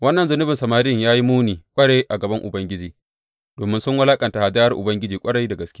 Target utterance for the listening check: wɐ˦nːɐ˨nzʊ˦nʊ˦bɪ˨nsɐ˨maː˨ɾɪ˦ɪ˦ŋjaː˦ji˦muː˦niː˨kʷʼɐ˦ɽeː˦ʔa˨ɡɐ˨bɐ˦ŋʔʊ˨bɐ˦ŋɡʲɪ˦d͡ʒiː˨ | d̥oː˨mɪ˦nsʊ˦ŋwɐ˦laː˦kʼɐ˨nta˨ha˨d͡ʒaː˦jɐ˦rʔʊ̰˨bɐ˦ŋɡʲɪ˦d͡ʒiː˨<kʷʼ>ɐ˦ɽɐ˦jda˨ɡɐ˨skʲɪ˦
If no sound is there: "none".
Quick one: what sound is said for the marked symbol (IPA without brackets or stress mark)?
kʷʼ